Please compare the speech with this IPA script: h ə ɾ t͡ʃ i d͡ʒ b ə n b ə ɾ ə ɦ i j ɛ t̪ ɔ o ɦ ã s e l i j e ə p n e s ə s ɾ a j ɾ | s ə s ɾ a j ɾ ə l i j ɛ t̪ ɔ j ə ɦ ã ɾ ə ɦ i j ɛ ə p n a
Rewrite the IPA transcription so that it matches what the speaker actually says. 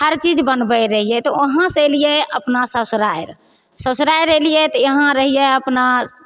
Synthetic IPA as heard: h ə ɾ t͡ʃ i d͡ʒ b ə n b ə ɾ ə ɦ i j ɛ t̪ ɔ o ɦ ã s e l i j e ə p n a s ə s ɾ a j ɾ | s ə s ɾ a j ɾ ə l i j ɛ t̪ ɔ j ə ɦ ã ɾ ə ɦ i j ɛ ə p n a